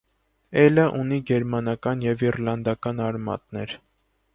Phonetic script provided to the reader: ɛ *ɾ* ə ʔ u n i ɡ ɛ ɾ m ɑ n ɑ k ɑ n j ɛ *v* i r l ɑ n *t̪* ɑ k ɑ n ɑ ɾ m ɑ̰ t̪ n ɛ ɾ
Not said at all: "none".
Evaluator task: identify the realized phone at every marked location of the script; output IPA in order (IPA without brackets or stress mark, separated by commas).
l, v, d̪